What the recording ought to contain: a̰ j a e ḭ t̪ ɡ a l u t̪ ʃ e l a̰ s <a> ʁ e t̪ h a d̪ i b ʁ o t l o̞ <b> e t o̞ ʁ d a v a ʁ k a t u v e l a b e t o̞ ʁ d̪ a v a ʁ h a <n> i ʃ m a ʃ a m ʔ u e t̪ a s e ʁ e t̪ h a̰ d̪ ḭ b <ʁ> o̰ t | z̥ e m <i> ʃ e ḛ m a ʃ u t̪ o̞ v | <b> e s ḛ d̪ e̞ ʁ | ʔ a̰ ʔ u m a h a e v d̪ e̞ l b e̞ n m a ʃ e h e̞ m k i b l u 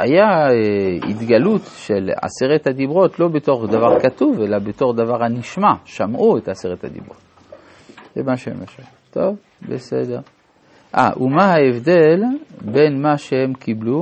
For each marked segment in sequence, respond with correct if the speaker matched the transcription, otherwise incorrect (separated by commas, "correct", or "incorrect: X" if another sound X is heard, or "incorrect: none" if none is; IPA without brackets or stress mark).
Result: incorrect: e, correct, correct, correct, incorrect: a, correct